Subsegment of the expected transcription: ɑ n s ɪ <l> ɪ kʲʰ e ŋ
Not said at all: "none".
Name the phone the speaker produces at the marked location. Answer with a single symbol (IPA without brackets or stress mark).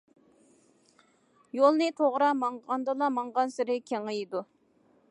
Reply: ɾ